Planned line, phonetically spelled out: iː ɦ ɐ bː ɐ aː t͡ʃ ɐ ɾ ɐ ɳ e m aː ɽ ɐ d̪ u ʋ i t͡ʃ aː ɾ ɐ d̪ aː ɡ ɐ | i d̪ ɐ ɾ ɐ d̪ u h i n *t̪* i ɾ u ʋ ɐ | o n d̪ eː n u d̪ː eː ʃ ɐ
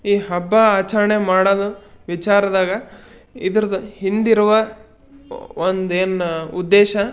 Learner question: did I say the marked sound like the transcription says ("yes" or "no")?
no